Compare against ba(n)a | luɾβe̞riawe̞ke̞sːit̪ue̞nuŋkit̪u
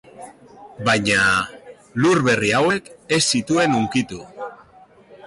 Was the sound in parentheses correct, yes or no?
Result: no